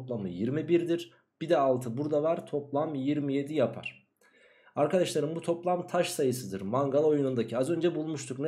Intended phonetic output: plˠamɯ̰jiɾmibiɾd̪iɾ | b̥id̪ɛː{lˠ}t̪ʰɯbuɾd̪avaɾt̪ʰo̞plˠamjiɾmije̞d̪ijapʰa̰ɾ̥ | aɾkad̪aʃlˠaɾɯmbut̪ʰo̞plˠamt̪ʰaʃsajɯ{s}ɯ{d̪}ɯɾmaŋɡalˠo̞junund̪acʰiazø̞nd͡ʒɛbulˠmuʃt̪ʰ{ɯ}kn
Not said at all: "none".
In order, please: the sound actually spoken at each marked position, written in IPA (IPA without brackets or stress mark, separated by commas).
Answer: lˠ, s, d̪, u